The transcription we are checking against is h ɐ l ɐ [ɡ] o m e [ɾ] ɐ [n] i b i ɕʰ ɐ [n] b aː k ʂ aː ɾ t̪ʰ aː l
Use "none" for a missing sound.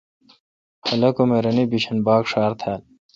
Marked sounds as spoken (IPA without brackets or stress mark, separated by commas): k, ɾ, n, n